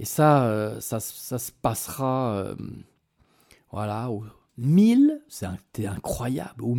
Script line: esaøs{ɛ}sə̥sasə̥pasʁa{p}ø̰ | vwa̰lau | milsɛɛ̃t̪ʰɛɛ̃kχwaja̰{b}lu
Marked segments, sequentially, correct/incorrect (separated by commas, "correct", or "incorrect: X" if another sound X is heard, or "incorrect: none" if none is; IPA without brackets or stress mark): incorrect: a, incorrect: none, correct